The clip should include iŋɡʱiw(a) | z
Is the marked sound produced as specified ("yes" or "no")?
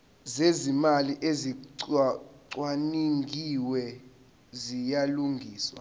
no